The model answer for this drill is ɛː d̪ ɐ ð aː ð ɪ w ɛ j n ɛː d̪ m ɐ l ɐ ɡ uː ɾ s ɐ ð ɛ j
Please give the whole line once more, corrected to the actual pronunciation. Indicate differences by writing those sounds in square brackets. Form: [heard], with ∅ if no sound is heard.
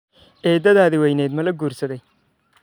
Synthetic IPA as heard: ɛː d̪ ɐ ð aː ð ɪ w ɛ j n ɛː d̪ m ɐ l ɐ ɡ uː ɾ s ɐ ð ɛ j